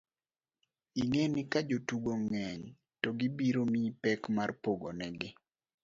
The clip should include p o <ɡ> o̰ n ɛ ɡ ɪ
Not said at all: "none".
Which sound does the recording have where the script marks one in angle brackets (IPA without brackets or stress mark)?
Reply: ɡ